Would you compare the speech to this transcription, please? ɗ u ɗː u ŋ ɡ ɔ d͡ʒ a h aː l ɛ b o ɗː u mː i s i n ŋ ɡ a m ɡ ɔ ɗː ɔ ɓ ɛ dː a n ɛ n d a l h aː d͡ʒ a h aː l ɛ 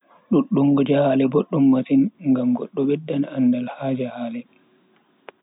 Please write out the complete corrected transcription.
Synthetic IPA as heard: ɗ u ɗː u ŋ ɡ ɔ d͡ʒ a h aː l ɛ b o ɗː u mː a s i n ŋ ɡ a m ɡ ɔ ɗː ɔ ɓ ɛ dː a n a n d a l h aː d͡ʒ a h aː l ɛ